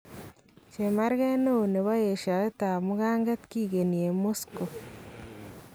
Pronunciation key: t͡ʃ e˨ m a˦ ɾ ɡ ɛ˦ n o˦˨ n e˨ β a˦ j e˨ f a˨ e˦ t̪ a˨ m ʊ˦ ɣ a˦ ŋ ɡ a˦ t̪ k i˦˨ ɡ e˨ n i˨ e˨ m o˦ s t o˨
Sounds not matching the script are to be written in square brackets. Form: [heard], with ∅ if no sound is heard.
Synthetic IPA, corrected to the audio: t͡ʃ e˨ m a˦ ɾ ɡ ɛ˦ n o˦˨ n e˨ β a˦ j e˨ [ʃ] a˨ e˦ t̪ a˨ m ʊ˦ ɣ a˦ ŋ ɡ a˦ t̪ k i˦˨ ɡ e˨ n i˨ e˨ m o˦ s [k] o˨